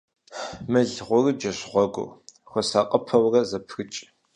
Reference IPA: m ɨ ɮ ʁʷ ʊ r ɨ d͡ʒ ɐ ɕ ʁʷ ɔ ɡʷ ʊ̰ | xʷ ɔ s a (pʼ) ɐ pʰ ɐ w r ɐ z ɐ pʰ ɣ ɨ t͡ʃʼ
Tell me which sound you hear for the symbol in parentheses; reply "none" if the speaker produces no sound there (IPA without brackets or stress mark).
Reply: qʼ